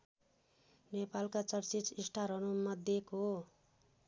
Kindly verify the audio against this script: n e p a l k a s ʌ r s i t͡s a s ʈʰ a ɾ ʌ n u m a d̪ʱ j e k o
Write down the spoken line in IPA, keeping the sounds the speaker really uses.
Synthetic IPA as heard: n e p a l k a t͡s ʌ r t͡s i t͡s i s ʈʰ a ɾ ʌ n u m ʌ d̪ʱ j e k o